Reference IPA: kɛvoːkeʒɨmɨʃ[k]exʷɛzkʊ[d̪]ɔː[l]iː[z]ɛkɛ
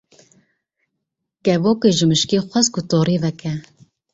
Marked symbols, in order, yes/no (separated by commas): yes, no, no, no